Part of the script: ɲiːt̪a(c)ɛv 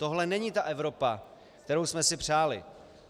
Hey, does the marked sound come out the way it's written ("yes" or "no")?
no